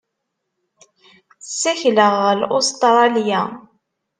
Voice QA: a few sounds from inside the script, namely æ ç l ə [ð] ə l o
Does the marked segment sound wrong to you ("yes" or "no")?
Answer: yes